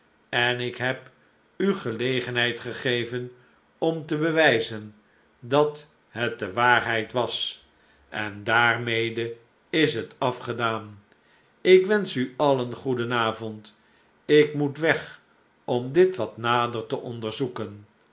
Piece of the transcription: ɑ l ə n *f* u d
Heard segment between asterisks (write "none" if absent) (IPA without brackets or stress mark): χ